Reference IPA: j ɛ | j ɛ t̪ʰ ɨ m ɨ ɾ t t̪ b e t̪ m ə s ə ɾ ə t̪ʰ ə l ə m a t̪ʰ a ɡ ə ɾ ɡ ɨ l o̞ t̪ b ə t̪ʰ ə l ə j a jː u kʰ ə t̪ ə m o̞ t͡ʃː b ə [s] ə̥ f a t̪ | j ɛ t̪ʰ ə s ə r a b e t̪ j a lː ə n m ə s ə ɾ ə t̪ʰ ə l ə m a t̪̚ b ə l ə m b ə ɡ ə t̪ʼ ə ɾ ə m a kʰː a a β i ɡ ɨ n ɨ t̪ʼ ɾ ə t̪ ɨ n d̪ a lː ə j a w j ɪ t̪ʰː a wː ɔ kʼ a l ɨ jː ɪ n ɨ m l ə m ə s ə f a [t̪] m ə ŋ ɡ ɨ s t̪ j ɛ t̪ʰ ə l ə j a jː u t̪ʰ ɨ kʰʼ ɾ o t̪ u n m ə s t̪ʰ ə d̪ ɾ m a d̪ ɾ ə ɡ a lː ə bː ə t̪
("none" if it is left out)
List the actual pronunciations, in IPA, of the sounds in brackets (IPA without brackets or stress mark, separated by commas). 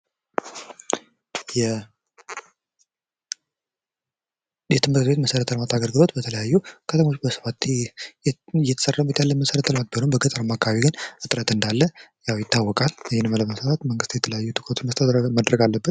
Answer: s, t̪